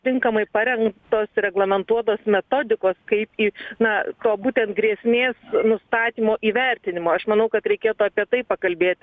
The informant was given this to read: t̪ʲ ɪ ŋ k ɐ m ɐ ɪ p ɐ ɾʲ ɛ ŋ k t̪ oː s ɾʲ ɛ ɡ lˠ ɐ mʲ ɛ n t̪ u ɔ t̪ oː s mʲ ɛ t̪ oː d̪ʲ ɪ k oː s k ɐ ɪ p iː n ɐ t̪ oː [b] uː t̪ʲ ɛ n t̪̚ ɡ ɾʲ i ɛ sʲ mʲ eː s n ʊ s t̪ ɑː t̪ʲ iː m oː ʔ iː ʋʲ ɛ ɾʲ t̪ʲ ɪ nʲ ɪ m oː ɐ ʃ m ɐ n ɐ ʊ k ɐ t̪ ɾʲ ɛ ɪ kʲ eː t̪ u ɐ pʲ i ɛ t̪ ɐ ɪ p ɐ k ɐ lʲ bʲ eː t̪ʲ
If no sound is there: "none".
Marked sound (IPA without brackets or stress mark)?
b